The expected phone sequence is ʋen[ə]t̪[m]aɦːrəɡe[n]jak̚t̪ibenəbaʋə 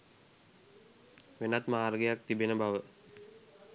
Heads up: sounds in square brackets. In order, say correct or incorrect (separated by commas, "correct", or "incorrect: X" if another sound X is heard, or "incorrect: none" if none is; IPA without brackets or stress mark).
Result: incorrect: a, correct, incorrect: none